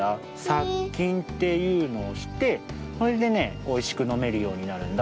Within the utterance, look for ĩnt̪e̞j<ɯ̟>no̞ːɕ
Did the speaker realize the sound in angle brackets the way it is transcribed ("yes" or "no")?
no